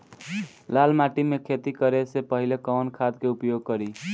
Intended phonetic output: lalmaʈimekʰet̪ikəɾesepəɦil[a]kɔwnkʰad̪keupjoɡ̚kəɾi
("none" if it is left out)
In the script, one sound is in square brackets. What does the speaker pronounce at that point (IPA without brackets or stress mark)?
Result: e